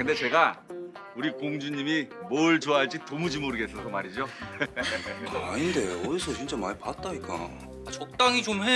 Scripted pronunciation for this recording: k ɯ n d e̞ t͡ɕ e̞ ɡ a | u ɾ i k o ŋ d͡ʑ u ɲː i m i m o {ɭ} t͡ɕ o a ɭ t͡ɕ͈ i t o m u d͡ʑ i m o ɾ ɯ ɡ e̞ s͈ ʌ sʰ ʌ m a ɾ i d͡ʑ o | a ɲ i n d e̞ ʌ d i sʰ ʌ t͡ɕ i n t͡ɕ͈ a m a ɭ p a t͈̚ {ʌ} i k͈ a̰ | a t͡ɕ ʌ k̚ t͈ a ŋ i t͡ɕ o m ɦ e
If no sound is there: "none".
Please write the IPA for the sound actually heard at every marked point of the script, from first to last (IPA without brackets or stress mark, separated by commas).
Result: ɭ, a